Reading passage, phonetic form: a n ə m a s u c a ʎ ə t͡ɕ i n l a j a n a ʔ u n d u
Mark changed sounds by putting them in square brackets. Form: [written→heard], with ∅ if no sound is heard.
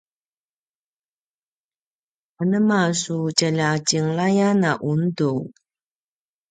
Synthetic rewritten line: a n ə m a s u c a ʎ [ə→a] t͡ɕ i [n→ŋ] l a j a n a ʔ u n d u